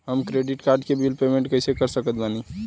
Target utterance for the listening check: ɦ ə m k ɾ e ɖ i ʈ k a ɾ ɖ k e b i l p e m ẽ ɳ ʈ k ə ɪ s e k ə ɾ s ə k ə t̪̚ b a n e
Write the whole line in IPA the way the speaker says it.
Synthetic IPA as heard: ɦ ə m k ɾ e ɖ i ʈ k a ɾ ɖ k e b i l p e m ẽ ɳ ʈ k ə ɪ s e k ə ɾ s ə k ə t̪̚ b a n i